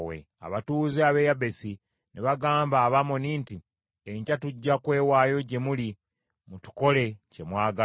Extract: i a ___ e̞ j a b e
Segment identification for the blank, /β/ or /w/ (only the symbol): β